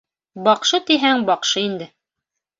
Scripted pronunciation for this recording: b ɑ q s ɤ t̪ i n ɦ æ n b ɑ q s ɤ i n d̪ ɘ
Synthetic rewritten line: b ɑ q ʃ ɤ t̪ i ɦ æ ŋ b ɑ q ʃ ɤ i n d̪ ɘ

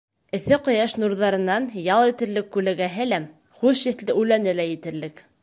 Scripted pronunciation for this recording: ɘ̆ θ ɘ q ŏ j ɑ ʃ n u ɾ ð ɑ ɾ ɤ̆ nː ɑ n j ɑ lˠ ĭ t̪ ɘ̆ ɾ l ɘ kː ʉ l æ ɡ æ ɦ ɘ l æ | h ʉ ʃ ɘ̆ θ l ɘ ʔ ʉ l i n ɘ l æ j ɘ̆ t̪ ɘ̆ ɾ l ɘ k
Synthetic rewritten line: ɘ̆ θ ɘ q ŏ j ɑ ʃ n u ɾ ð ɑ ɾ ɤ̆ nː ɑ n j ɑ lˠ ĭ t̪ ɘ̆ ɾ l ɘ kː ʉ l æ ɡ æ ɦ ɘ l æ | χ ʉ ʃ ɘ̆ θ l ɘ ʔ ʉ l æ n ɘ l æ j ɘ̆ t̪ ɘ̆ ɾ l ɘ k

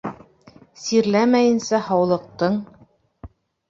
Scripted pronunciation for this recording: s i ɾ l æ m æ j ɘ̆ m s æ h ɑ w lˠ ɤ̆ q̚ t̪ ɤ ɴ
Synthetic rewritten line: s i ɾ l æ m æ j ɘ̆ n s æ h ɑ w lˠ ɤ̆ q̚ t̪ ɤ ɴ

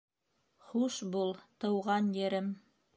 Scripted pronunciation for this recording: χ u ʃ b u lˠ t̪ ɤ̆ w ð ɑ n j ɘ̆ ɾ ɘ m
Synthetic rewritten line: χ u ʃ b u lˠ t̪ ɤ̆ w ʁ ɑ n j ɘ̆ ɾ ɘ m

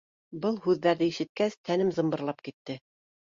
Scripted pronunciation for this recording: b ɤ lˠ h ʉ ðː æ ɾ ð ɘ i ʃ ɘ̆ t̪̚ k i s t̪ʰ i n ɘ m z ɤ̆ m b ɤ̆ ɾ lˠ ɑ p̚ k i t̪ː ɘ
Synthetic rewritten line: b ɤ lˠ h ʉ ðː æ ɾ ð ɘ i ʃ ɘ̆ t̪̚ k æ s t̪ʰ æ n ɘ m z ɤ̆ m b ɤ̆ ɾ lˠ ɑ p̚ k i t̪ː ɘ

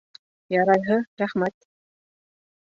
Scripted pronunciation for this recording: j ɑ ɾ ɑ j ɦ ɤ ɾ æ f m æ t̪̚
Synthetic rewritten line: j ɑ ɾ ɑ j ɦ ɤ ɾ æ χ m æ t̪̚

